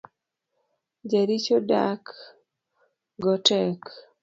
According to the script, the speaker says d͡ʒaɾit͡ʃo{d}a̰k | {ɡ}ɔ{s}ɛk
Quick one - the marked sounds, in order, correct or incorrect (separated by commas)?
correct, correct, incorrect